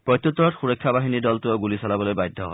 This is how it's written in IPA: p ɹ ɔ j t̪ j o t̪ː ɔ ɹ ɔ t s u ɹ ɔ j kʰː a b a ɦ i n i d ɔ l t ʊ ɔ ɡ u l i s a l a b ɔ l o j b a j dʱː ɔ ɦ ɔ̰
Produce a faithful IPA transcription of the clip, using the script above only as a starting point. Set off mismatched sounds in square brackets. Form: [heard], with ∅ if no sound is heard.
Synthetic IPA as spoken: p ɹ ɔ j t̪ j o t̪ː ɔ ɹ ɔ t [x] u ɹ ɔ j kʰː a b a ɦ i n i d ɔ l t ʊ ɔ ɡ u l i s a l a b ɔ l o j b a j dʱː ɔ ɦ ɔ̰